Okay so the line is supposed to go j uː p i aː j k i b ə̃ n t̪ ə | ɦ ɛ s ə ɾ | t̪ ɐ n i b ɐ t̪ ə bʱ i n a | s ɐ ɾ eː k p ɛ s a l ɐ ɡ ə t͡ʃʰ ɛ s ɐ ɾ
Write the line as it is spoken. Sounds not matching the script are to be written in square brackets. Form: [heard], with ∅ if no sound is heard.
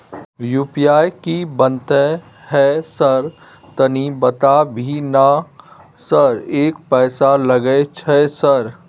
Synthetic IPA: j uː p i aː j k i b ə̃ n t̪ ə | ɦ ɛ s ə ɾ | t̪ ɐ n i b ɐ t̪ [a] bʱ i n a | s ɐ ɾ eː k p [ɛː] s a l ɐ ɡ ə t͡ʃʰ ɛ s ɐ ɾ